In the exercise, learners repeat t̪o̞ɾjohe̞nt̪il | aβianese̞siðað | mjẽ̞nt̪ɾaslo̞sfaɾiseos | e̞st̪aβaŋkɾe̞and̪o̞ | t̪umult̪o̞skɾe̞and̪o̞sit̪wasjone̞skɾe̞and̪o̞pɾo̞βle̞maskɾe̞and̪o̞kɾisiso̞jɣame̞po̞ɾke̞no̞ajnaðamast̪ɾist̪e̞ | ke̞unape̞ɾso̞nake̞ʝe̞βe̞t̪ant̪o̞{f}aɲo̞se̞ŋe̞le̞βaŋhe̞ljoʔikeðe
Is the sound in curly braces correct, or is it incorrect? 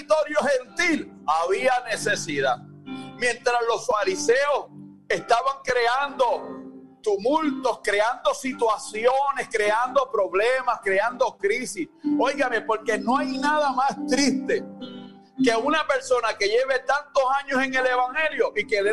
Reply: incorrect